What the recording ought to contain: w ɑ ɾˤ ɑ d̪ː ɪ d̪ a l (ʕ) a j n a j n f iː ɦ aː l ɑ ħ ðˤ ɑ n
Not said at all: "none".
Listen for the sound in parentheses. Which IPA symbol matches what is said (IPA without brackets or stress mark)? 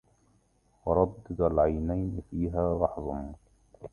ʕ